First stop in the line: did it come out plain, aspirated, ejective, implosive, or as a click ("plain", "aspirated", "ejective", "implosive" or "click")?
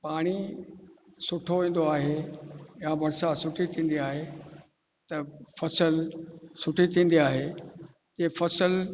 plain